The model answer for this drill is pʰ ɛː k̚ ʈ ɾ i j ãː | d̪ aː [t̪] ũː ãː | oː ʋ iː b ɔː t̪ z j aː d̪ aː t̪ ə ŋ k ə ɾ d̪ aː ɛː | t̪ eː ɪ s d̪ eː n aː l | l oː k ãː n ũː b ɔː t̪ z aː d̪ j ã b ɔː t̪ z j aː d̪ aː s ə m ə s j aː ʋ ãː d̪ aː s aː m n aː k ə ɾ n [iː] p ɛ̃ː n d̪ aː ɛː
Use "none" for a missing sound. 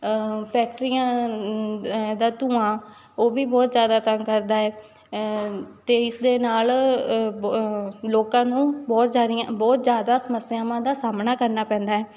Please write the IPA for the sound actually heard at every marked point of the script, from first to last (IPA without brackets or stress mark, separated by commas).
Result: t̪, aː